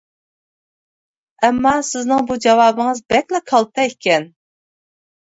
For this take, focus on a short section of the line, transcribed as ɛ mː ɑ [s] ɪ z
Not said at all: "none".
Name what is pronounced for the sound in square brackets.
s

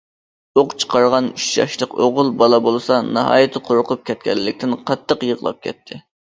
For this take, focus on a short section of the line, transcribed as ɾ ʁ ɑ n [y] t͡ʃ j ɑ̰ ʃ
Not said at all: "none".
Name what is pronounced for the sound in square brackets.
y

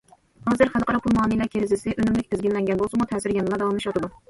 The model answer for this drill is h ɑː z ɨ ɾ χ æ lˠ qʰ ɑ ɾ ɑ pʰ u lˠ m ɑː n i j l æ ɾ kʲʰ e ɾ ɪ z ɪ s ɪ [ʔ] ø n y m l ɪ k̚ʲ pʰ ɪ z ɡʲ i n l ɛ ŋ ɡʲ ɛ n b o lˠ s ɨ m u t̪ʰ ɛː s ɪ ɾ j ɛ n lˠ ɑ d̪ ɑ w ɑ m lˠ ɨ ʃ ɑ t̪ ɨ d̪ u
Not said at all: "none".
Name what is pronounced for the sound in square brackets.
ʔ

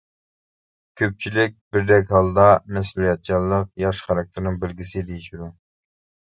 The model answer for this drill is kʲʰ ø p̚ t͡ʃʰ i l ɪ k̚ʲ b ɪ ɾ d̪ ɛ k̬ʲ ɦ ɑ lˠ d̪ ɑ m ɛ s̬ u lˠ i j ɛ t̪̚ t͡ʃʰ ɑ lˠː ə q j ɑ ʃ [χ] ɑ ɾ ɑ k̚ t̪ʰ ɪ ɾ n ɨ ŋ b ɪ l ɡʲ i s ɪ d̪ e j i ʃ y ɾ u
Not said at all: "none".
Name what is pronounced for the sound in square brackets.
χ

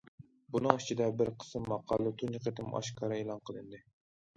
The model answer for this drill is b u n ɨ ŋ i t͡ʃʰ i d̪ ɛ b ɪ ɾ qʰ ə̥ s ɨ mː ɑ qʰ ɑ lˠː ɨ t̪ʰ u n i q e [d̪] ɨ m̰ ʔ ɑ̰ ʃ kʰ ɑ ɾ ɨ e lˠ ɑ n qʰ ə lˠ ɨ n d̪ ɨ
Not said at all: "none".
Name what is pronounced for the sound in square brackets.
t̪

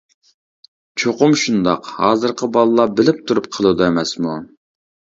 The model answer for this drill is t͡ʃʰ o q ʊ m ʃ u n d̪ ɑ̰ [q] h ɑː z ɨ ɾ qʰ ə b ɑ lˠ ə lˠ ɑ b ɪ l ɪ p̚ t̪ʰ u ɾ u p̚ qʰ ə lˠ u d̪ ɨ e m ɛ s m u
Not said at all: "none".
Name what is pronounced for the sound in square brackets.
q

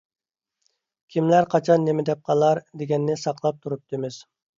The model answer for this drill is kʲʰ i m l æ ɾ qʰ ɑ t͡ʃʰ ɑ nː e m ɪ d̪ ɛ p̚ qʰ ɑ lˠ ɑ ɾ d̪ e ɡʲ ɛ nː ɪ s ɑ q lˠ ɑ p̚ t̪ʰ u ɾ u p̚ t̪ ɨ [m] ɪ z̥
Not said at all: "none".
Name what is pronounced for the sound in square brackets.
m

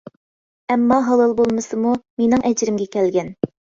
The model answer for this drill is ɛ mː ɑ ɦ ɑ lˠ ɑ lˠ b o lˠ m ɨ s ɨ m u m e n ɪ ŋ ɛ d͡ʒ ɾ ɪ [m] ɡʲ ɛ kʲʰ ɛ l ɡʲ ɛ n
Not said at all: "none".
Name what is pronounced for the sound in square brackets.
m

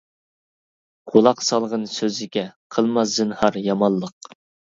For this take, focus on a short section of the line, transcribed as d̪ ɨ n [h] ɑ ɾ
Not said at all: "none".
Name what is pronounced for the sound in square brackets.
h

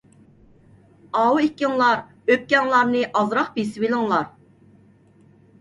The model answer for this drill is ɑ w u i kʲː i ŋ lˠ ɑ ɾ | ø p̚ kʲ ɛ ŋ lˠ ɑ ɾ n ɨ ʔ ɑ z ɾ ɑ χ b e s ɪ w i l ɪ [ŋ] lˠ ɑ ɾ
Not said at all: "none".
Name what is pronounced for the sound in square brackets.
ŋ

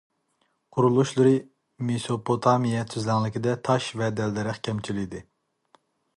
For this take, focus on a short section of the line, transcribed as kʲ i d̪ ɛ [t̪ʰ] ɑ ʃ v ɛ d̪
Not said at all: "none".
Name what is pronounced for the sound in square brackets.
t̪ʰ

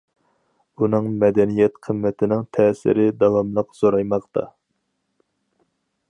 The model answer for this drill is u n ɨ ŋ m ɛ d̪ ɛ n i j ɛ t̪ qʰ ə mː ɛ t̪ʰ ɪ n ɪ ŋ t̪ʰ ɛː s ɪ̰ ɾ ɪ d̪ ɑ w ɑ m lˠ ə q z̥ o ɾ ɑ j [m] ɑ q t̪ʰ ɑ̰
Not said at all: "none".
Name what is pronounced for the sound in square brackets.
m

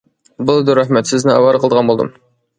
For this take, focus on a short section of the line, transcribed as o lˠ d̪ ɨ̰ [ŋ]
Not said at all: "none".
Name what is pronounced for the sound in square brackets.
m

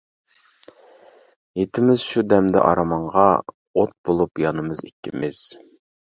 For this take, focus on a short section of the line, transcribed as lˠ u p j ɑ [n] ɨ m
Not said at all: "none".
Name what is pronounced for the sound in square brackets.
n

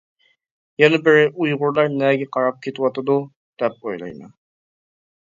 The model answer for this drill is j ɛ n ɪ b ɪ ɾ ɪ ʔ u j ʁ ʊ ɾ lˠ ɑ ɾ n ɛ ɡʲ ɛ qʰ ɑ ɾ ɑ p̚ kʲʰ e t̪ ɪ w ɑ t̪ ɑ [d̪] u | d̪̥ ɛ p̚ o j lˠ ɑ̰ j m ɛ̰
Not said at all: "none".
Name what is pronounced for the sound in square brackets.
d̪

